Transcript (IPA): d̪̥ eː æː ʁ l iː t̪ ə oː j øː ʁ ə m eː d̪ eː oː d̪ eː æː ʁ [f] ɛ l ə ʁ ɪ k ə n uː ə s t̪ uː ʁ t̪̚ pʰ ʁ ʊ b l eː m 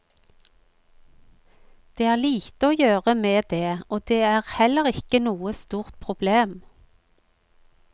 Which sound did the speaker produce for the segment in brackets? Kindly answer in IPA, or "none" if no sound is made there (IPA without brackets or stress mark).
h